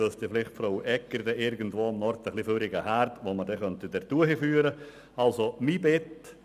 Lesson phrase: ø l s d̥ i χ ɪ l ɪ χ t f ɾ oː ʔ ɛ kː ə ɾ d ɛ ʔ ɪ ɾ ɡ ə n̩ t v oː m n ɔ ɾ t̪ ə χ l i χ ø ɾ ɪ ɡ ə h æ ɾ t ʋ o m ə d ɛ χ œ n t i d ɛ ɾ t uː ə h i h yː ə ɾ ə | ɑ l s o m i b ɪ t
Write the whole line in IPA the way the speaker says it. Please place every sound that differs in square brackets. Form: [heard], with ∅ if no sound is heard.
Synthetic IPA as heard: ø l s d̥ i [f] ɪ l ɪ χ t f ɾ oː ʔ ɛ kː ə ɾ d ɛ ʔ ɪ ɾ ɡ ə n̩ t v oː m n ɔ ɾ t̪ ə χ l i [f] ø ɾ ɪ ɡ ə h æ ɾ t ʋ o m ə d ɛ χ œ n t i d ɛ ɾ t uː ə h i [f] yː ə ɾ ə | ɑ l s o m i b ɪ t